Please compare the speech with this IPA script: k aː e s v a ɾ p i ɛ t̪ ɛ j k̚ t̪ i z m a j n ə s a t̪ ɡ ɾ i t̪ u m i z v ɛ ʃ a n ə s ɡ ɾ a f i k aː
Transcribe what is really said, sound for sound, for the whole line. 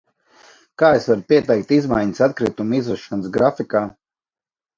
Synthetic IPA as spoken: k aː e s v a ɾ p i ɛ t̪ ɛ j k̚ t̪ i z m a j ɲ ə s a t̪ k ɾ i t̪ u m i z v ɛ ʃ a n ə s ɡ ɾ a f i k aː